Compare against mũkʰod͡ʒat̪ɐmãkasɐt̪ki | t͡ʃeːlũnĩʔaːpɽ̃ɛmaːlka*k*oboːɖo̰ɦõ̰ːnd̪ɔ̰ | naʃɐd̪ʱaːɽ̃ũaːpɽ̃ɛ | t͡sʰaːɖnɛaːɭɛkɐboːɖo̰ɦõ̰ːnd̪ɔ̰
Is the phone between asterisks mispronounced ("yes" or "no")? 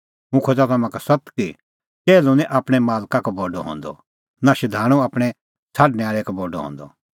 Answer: no